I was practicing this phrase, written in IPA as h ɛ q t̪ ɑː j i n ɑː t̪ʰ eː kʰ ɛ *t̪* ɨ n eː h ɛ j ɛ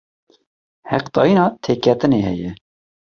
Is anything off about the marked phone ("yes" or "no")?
no